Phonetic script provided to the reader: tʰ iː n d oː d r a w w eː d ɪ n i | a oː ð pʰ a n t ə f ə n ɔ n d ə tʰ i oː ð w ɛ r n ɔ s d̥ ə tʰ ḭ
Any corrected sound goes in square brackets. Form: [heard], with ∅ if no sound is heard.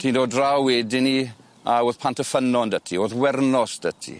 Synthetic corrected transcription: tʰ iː n d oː d r a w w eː d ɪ n i | a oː ð pʰ a n t ə f ə n ɔ n d ə tʰ i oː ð w ɛ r n ɔ s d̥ ə tʰ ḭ

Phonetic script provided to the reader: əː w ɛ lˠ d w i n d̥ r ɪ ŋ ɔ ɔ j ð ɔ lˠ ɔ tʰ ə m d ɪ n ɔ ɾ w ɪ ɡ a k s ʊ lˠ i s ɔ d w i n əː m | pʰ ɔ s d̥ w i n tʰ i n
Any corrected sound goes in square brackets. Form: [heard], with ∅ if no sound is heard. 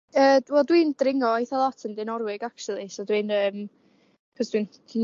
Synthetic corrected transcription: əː w ɛ lˠ d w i n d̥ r ɪ ŋ ɔ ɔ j [θ] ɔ lˠ ɔ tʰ ə [n] d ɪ n ɔ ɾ w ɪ ɡ a k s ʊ lˠ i s ɔ d w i n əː m | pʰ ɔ s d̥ w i n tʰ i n

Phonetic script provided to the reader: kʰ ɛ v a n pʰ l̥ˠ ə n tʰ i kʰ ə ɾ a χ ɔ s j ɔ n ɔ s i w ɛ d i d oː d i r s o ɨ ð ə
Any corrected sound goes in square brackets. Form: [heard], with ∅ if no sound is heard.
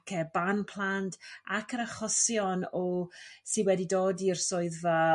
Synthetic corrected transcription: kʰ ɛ [b] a n pʰ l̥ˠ [a] n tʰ [a] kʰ ə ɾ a χ ɔ s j ɔ n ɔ s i w ɛ d i d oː d i r s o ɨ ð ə

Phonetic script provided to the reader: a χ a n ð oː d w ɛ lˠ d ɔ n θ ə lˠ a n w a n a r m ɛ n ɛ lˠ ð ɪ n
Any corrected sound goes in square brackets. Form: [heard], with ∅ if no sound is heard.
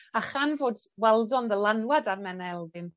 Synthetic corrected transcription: a χ a n [v] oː d w ɛ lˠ d ɔ n [ð] ə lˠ a n w a [d] a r m ɛ n ɛ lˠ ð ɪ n

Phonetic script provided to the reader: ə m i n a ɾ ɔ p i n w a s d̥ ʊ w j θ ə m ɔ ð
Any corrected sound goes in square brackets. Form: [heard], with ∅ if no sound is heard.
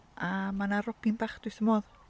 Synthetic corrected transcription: [a] m [a] n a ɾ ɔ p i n [b] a [χ] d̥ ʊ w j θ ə m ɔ ð

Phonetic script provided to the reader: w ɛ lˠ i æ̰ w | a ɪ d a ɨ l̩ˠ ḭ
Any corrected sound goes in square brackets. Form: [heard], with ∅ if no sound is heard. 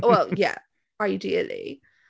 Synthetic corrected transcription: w ɛ lˠ [j] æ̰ [∅] | a ɪ d [i] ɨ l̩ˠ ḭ

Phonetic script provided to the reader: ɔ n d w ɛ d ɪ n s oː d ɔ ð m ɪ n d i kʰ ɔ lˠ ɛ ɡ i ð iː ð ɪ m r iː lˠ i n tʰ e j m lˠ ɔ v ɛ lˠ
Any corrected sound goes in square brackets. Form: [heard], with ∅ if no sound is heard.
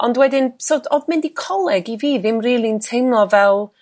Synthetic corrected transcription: ɔ n d w ɛ d ɪ n s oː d ɔ ð m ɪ n d i kʰ ɔ lˠ ɛ ɡ i [v] iː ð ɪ m r iː lˠ i n tʰ e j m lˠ ɔ v ɛ lˠ

